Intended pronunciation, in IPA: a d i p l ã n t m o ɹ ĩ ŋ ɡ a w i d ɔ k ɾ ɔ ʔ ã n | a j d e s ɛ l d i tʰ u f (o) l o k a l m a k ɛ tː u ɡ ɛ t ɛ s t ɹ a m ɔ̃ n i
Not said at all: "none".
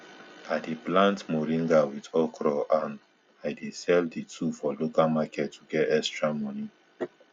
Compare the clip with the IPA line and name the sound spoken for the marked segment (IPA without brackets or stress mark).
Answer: ɔ